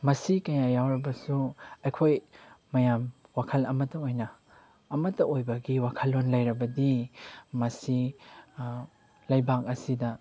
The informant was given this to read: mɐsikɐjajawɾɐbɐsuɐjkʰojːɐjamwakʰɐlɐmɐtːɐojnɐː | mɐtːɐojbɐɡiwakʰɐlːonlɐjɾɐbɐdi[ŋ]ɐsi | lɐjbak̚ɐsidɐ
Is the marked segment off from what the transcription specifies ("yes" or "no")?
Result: yes